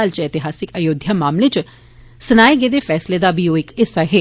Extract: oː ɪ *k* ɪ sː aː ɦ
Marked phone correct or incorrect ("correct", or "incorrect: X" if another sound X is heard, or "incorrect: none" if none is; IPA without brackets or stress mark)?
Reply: correct